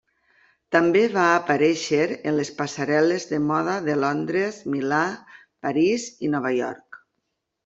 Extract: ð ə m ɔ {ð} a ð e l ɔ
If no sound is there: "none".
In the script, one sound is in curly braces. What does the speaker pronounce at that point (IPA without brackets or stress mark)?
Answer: ð